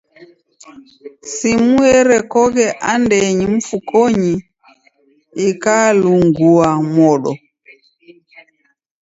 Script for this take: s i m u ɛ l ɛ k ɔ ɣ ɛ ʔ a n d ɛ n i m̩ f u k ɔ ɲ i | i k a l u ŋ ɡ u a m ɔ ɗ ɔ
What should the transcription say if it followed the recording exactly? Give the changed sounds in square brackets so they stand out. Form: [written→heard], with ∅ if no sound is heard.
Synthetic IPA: s i m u ɛ [l→ɾ] ɛ k ɔ ɣ ɛ ʔ a n d ɛ [n→ɲ] i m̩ f u k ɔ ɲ i | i k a l u ŋ ɡ u a m ɔ ɗ ɔ